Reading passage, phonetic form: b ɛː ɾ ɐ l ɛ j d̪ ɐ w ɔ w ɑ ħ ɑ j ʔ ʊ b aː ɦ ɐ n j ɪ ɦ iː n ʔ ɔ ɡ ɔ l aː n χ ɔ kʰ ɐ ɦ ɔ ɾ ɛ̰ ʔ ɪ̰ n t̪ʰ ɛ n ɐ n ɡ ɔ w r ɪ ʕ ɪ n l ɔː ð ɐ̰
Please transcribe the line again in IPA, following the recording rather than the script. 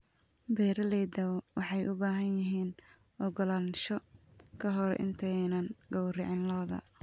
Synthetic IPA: b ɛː ɾ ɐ l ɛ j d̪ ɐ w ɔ w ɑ ħ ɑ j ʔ ʊ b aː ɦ ɐ n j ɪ ɦ iː n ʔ ɔ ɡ ɔ l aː n ʃ ɔ kʰ ɐ ɦ ɔ ɾ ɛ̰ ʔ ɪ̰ n t̪ʰ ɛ n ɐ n ɡ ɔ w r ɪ ʕ ɪ n l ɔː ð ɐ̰

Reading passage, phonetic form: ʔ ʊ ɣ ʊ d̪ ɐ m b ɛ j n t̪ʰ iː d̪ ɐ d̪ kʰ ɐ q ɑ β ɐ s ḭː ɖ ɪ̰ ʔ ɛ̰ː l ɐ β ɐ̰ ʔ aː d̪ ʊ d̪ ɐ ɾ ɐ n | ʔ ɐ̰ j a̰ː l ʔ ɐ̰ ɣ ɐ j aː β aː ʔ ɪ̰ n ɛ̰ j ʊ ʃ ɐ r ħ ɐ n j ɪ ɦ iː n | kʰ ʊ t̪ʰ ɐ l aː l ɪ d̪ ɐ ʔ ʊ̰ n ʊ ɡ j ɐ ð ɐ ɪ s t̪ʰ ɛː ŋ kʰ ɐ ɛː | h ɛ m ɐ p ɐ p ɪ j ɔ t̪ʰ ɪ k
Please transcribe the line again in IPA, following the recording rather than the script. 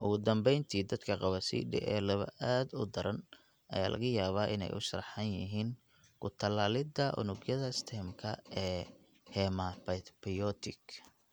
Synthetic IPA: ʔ ʊ ɣ ʊ d̪ ɐ m b ɛ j n t̪ʰ iː d̪ ɐ d̪ kʰ ɐ q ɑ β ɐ s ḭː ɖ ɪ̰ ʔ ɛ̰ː l ɐ β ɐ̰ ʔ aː d̪ ʊ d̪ ɐ ɾ ɐ n | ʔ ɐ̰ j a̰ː l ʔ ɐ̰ ɣ ɐ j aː β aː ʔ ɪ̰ n ɛ̰ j ʊ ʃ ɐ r ħ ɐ n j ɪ ɦ iː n | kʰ ʊ t̪ʰ ɐ l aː l ɪ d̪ ɐ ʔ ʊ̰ n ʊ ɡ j ɐ ð ɐ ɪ s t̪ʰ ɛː m kʰ ɐ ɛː | h ɛ m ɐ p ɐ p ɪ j ɔ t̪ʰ ɪ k

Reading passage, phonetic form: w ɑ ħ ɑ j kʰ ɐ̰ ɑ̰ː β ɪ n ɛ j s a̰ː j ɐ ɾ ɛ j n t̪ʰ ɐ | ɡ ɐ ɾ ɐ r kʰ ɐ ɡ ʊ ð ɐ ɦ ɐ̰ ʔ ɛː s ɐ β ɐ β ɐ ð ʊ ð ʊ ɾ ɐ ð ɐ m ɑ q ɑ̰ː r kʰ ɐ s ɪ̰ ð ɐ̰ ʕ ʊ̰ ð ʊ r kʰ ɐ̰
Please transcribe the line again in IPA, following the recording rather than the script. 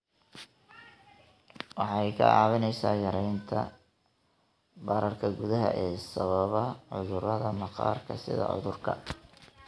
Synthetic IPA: w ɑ ħ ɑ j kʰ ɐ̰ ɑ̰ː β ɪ n ɛ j s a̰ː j ɐ ɾ ɛ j n t̪ʰ ɐ | b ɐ ɾ ɐ r kʰ ɐ ɡ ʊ ð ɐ ɦ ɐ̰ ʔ ɛː s ɐ β ɐ β ɐ ʕ ʊ ð ʊ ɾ ɐ ð ɐ m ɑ q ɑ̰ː r kʰ ɐ s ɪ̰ ð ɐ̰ ʕ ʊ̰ ð ʊ r kʰ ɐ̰

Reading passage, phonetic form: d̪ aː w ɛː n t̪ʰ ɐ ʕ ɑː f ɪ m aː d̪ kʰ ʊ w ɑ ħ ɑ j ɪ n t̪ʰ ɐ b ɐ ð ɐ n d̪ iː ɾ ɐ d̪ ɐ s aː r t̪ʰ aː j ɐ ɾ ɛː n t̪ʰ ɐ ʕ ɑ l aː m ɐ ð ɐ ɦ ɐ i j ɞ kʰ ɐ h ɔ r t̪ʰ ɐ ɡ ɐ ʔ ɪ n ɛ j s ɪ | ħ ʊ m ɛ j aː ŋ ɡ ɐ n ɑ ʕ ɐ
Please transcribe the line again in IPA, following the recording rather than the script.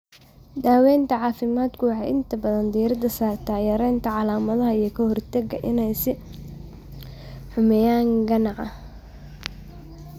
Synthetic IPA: d̪ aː w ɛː n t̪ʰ ɐ ʕ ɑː f ɪ m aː d̪ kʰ ʊ w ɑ ħ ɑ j ɪ n t̪ʰ ɐ b ɐ ð ɐ n d̪ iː ɾ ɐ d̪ ɐ s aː r t̪ʰ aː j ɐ ɾ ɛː n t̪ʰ ɐ ʕ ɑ l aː m ɐ ð ɐ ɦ ɐ i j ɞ kʰ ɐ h ɔ r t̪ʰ ɐ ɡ ɐ ʔ ɪ n ɛ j s ɪ | ħ ʊ m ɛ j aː ŋ ɡ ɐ n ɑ ʕ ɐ

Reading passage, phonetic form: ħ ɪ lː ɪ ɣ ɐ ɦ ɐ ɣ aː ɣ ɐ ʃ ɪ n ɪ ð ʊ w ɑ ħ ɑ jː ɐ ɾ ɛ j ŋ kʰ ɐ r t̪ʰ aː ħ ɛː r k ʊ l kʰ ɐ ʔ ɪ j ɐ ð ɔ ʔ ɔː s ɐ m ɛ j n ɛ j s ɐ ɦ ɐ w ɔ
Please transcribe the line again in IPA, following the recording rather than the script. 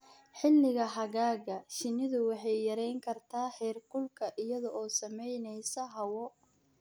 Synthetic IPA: ħ ɪ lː ɪ ɣ ɐ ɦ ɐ ɣ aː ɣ ɐ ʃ ɪ n ɪ ð ʊ w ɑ ħ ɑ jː ɐ ɾ ɛ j ŋ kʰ ɐ r t̪ʰ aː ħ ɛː r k ʊ l kʰ ɐ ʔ ɪ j ɐ ð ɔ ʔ ɔː s ɐ m ɛ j n ɛ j s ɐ ɦ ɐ w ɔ

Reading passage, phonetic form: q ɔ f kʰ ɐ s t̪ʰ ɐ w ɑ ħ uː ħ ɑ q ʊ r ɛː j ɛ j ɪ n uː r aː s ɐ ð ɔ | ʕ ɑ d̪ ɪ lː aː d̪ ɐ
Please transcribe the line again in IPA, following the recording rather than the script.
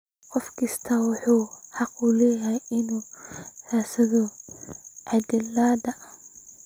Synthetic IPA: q ɔ f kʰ ɐ s t̪ʰ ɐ w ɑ ħ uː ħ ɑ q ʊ l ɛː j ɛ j ɪ n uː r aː s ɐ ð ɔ | ʕ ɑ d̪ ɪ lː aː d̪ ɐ

